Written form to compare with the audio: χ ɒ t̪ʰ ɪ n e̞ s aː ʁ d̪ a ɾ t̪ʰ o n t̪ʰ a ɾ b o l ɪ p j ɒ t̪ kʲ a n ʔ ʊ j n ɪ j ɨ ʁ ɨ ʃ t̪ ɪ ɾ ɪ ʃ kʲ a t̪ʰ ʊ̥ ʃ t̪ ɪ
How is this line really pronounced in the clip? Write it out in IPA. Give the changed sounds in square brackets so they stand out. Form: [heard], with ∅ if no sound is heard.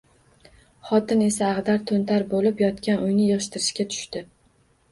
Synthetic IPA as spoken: χ ɒ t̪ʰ ɪ n e̞ s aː ʁ d̪ a ɾ t̪ʰ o n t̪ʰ a ɾ b o l ɪ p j ɒ t̪ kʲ a n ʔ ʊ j n ɪ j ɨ ʁ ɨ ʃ t̪ ɪ ɾ ɪ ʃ kʲ a t̪ʰ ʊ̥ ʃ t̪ ɪ